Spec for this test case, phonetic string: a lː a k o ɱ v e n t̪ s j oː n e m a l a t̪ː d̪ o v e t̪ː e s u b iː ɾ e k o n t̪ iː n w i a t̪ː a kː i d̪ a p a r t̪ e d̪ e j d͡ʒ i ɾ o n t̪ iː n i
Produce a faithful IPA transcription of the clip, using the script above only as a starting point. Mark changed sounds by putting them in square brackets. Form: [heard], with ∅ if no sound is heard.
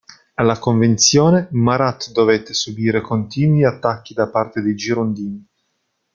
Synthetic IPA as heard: a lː a k o ɱ v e n t̪ s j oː n e m a [ɾ] a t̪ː d̪ o v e t̪ː e s u b iː ɾ e k o n t̪ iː n w i a t̪ː a kː i d̪ a p a r t̪ e d̪ e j d͡ʒ i ɾ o n [d̪] iː n i

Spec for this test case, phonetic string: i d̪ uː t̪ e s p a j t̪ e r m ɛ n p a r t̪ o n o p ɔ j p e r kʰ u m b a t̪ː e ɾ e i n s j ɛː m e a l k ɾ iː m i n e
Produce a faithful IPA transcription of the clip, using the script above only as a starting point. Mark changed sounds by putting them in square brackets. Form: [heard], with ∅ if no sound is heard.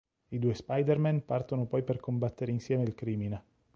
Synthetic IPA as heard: i d̪ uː [∅] e s p a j [d̪] e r m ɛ n p a r t̪ o n o p ɔ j p e r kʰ [o] m b a t̪ː e ɾ e i n s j ɛː m e [i] l k ɾ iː m i n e

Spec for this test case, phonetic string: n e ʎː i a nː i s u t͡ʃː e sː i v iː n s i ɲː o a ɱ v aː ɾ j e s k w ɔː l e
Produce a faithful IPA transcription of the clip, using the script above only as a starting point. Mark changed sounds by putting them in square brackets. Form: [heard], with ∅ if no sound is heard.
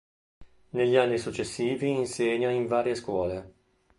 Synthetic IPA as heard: n e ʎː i a nː i s u t͡ʃː e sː [iː] v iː n s [e] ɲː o [i] ɱ v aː ɾ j e s k w ɔː l e

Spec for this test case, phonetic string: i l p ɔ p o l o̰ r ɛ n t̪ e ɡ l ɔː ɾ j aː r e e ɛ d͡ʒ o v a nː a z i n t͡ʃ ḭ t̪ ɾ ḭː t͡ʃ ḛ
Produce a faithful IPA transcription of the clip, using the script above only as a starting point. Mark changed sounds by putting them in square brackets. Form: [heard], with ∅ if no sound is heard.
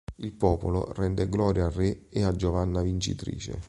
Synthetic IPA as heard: i l p [ɔː] p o l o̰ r ɛ n [d̪] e ɡ l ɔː ɾ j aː r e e [a] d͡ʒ o v a nː a [v] i n t͡ʃ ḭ t̪ ɾ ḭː t͡ʃ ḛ

